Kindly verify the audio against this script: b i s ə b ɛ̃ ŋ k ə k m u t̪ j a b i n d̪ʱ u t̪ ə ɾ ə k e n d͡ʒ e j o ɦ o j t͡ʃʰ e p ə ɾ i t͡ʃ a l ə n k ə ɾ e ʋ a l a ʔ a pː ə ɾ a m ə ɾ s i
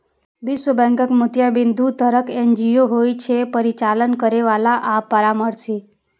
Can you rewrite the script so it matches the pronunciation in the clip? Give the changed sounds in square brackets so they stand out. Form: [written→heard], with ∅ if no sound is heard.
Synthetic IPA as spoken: b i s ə b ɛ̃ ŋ k ə k m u t̪ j a b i n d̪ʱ u t̪ ə ɾ ə k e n d͡ʒ [e→i] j o ɦ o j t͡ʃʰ e p ə ɾ i t͡ʃ a l ə n k ə ɾ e ʋ a l a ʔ a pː ə ɾ a m ə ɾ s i